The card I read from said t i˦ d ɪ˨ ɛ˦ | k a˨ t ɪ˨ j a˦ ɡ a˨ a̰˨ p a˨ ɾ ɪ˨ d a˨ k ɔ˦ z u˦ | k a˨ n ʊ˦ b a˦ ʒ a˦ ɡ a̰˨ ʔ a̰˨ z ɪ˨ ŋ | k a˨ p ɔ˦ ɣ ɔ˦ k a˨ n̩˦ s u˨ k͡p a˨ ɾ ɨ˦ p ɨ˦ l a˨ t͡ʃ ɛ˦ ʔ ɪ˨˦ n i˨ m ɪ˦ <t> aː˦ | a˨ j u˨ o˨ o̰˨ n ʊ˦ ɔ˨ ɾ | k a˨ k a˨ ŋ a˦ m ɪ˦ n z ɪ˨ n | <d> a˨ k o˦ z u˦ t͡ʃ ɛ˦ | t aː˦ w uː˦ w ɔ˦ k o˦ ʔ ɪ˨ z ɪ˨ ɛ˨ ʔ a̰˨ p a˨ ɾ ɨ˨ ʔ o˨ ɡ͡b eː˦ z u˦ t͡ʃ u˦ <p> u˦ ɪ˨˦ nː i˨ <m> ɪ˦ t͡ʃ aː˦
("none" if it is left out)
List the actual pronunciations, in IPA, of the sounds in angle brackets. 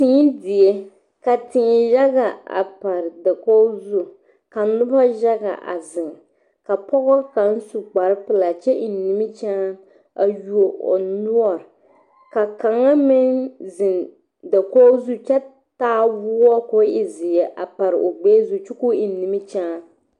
t͡ʃ, d, k, m

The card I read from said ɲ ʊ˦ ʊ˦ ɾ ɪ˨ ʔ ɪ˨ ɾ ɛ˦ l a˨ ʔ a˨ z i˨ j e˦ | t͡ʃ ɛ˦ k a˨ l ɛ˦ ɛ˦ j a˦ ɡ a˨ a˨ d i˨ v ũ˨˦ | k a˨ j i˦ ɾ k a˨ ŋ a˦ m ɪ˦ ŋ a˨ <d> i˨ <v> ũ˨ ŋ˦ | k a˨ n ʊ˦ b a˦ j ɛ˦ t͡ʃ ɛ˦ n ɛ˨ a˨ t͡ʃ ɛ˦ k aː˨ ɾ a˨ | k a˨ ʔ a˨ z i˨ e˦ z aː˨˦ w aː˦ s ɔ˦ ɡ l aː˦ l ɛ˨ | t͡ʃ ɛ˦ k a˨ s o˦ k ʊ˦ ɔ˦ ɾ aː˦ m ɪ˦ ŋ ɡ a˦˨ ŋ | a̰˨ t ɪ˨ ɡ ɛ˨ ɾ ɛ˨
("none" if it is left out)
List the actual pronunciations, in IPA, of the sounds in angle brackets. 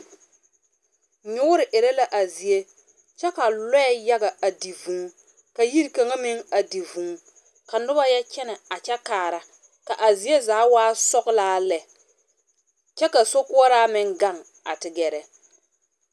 d, v

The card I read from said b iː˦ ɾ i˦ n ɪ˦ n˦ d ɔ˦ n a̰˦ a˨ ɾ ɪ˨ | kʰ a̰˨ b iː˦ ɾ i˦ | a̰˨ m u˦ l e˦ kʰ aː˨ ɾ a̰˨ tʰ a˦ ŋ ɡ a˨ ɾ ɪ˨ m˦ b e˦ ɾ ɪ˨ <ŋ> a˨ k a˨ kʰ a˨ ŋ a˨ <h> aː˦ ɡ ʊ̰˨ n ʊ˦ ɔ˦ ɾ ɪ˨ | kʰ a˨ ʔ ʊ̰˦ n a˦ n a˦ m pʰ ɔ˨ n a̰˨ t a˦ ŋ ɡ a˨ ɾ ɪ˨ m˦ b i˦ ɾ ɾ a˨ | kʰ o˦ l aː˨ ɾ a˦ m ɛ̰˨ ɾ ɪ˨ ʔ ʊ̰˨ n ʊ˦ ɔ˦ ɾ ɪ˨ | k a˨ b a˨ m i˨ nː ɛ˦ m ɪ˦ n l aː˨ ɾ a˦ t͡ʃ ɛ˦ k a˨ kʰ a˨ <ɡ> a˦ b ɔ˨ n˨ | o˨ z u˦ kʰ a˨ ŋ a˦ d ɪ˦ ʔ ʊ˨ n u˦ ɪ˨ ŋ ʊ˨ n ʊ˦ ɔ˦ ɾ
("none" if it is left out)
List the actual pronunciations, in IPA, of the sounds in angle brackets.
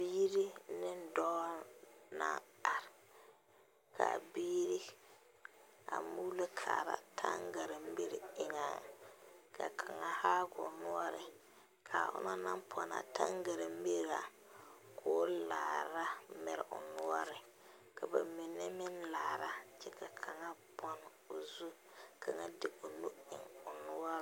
ŋ, h, ŋ

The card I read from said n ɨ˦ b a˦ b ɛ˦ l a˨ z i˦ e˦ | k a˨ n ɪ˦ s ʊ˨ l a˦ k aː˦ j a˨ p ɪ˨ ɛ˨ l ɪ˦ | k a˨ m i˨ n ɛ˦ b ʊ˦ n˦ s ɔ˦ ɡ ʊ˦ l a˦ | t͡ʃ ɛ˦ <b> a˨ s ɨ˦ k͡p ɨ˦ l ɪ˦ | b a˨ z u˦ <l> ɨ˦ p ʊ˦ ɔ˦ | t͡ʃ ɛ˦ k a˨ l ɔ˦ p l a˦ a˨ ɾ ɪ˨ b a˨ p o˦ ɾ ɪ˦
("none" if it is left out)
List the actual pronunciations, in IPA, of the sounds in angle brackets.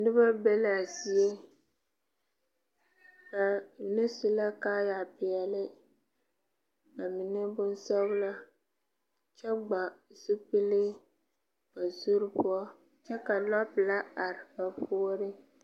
ɡ͡b, ɾ

